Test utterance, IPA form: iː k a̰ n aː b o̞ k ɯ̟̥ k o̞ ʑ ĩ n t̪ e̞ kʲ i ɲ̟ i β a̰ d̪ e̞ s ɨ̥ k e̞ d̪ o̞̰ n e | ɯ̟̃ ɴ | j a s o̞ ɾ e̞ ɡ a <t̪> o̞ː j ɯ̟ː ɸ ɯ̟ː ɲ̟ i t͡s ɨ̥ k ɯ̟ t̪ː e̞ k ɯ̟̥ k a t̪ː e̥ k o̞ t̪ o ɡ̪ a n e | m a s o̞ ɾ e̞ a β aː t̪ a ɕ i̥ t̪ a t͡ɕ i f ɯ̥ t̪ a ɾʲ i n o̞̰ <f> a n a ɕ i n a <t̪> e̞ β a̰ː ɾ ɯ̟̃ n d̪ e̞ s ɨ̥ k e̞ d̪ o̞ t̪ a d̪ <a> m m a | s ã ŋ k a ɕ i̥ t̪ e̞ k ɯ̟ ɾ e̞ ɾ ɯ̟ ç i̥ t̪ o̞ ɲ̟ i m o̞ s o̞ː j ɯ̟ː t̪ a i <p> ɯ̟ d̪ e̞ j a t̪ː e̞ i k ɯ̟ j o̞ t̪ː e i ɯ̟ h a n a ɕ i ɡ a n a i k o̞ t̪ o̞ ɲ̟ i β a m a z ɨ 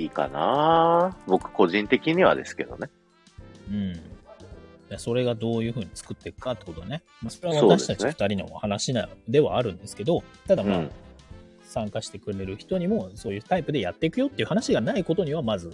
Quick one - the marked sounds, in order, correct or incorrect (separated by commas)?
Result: incorrect, incorrect, incorrect, correct, correct